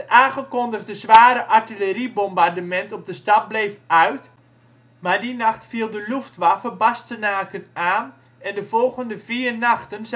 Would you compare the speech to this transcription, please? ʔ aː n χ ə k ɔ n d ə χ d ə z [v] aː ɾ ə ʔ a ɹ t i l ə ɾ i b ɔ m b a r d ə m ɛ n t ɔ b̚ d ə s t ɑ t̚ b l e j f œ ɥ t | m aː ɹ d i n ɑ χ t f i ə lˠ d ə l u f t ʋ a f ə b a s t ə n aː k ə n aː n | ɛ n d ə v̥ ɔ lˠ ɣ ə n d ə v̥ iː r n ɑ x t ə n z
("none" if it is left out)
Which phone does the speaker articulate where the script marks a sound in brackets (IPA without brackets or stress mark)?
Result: ʋ